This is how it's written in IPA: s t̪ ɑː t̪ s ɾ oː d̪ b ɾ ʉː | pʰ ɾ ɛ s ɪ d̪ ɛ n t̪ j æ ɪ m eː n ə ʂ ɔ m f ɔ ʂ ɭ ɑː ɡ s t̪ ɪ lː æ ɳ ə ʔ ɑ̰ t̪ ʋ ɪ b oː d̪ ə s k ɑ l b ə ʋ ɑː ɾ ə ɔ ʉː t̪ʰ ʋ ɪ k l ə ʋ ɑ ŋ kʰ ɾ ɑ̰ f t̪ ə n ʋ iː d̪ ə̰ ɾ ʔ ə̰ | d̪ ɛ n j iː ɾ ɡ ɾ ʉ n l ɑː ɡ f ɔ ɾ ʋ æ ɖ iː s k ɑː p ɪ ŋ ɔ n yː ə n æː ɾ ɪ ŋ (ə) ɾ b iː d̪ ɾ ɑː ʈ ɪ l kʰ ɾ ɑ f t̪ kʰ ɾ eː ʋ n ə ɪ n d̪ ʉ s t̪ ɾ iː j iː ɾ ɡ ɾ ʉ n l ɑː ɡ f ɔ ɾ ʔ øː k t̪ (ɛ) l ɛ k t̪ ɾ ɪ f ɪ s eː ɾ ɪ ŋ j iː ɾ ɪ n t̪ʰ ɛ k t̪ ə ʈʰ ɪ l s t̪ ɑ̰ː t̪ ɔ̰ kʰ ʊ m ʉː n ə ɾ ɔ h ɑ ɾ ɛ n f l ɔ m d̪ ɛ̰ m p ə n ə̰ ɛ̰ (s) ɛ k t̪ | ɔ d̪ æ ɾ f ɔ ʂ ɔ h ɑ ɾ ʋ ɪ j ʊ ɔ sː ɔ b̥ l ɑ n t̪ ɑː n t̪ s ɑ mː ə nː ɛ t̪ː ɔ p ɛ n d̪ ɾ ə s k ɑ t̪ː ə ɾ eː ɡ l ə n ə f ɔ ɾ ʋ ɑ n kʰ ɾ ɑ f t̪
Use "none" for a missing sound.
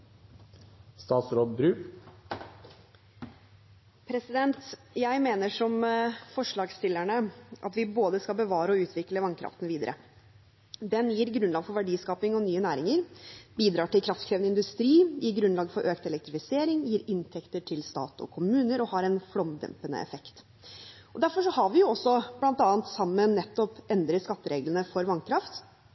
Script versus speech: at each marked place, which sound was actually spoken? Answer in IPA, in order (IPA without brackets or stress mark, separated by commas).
ə, ɛ, f